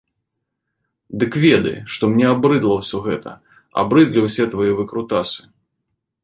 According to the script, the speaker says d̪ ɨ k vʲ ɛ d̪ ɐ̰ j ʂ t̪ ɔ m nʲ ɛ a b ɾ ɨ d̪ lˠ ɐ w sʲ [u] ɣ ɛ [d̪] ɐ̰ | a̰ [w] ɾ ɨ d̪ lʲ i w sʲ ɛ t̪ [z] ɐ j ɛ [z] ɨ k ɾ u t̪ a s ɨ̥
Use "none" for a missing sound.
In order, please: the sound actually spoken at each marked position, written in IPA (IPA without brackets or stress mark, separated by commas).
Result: ɔ, t̪, b, v, v